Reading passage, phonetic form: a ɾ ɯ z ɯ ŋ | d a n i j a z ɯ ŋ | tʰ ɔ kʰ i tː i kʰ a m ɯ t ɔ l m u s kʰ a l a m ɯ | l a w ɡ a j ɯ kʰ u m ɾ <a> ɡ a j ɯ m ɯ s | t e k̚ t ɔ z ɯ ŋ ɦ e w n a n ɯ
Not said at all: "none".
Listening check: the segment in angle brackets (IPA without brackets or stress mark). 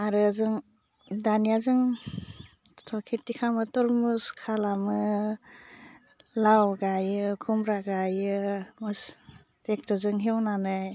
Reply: a